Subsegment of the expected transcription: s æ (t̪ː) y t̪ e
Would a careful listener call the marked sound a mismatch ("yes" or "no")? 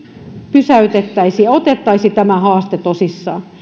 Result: yes